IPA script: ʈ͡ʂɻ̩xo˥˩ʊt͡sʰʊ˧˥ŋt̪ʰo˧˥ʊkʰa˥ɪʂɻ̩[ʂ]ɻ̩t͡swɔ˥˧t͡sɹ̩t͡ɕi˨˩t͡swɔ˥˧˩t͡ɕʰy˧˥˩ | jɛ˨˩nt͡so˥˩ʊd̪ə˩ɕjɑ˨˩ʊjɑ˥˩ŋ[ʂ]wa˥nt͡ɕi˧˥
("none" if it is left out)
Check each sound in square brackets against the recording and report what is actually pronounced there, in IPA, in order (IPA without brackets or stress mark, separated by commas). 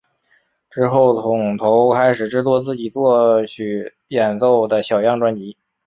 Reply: ʈ͡ʂ, ʈ͡ʂ